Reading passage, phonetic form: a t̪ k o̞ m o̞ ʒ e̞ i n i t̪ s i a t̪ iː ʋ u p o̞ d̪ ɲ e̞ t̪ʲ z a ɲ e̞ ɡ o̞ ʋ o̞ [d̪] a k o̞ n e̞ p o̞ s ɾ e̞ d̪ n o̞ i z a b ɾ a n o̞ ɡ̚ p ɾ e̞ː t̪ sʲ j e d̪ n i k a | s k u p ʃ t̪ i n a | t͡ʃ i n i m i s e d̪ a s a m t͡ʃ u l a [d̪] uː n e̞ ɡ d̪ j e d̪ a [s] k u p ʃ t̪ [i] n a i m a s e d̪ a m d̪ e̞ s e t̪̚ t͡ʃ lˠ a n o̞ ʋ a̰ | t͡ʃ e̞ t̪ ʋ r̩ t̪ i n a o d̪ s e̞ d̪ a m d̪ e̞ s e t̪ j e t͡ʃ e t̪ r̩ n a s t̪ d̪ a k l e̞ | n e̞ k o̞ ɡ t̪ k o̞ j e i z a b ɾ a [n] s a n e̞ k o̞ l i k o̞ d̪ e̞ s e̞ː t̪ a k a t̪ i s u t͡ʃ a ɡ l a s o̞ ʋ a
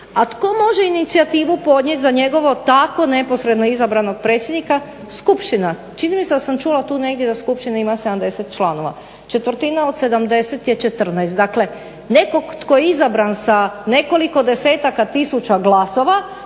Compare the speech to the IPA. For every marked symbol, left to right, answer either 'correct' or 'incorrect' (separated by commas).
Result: incorrect, incorrect, correct, correct, correct